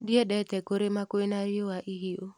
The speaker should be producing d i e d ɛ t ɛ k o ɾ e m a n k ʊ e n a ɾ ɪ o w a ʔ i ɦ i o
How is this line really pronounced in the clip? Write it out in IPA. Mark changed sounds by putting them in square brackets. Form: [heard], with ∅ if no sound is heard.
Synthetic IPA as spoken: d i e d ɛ t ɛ k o ɾ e m a [∅] k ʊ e n a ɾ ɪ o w a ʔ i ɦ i o